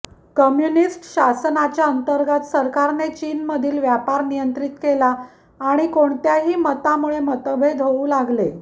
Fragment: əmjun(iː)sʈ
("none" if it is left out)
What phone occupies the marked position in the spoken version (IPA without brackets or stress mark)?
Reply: i